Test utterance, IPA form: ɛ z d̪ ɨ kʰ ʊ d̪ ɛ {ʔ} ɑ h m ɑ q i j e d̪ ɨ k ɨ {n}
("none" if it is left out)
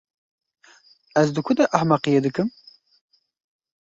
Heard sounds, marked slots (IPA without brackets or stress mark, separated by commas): ʔ, m